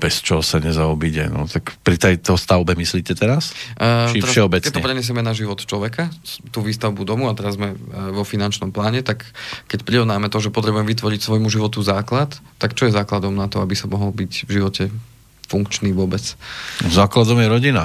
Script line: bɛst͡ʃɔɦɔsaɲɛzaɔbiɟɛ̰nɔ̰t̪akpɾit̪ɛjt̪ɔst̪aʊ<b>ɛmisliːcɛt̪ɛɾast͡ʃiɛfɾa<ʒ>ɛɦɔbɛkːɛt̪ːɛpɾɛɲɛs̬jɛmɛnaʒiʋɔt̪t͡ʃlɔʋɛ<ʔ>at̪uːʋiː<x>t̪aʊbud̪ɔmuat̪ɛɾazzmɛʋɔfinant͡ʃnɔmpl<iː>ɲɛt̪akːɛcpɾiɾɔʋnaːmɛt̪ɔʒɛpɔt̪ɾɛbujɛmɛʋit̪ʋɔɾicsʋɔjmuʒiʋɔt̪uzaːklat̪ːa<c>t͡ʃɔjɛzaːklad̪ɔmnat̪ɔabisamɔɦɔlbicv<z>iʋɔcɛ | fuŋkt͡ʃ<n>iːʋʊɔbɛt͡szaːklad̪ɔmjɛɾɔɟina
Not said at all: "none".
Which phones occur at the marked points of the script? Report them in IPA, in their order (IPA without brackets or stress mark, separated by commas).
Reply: b, ʃ, k, s, aː, k, ʒ, n